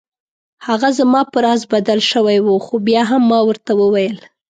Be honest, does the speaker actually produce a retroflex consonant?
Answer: no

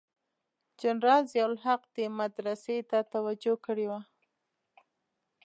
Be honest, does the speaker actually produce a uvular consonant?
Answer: yes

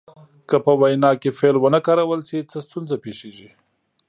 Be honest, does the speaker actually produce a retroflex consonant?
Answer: no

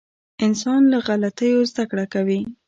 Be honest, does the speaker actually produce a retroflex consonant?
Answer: yes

